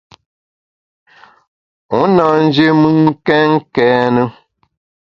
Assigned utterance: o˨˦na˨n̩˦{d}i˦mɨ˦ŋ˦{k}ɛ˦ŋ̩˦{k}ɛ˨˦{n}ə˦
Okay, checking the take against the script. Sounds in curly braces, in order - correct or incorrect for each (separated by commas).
incorrect, correct, correct, correct